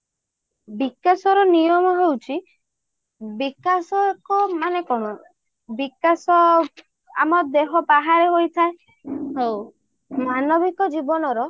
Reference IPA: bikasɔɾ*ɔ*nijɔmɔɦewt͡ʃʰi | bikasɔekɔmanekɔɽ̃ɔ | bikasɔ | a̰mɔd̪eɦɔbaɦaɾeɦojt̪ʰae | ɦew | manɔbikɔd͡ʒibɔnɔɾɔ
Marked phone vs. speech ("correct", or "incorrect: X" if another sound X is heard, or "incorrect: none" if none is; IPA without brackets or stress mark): correct